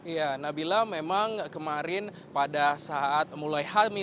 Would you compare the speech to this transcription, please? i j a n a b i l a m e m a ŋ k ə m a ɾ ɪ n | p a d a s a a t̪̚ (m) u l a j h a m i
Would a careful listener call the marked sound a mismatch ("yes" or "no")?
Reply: no